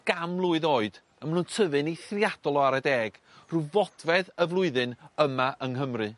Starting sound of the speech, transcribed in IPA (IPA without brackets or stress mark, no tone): ɡ̥